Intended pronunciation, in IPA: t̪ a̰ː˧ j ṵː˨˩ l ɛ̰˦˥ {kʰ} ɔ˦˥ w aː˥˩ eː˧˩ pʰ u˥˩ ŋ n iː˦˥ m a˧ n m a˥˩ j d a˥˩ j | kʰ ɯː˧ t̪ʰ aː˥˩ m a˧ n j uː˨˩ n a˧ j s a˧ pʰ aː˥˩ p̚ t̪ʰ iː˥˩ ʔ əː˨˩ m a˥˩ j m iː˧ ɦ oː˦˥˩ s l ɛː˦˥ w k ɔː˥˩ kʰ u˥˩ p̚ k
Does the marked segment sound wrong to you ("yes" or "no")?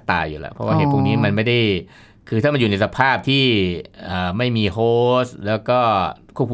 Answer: yes